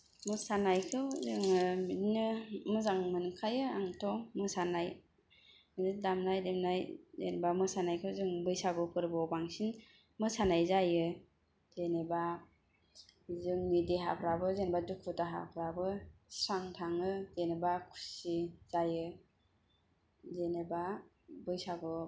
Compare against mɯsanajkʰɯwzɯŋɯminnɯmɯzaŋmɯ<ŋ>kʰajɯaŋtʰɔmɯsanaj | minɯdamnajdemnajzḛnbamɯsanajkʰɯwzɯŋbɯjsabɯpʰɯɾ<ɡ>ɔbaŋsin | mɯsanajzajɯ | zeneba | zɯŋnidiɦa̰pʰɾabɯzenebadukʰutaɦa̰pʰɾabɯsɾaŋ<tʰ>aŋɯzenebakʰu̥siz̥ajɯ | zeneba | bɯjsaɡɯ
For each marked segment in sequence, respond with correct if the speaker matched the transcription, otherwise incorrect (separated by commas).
incorrect, incorrect, correct